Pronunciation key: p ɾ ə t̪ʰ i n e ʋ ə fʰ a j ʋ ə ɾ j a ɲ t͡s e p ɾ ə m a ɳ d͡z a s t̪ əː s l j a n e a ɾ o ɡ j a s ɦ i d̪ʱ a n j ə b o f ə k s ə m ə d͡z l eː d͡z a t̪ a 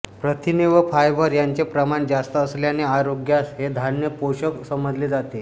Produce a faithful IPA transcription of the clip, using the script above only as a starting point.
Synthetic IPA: p ɾ ə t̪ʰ i n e ʋ ə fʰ a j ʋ ə ɾ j a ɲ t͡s e p ɾ ə m a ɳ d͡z a s t̪ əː s l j a n e a ɾ o ɡ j a s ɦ e d̪ʱ a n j ə p o ɕ ə k s ə m ə d͡z l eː d͡z a t̪ e